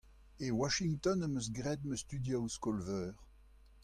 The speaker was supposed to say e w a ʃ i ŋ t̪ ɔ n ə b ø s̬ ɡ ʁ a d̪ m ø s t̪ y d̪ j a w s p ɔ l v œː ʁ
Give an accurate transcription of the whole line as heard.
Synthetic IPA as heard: e w a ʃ i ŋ t̪ ɔ n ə m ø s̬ ɡ ʁ ɛ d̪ m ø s t̪ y d̪ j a w s k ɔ l v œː ʁ